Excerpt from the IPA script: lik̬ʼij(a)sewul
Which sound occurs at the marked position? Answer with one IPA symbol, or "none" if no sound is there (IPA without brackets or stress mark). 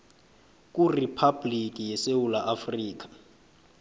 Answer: ɛ